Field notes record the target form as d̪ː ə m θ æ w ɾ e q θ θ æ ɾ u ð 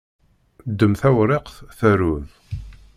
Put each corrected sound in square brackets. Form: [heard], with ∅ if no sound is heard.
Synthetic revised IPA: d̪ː ə m θ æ w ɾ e q θ θ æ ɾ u ð